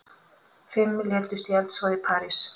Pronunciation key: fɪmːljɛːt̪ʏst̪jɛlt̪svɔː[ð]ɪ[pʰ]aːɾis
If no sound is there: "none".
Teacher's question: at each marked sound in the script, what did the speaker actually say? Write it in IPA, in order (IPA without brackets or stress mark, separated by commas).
ð, pʰ